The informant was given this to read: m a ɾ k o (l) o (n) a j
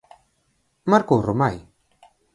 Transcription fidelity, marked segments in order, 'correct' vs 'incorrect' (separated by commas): incorrect, incorrect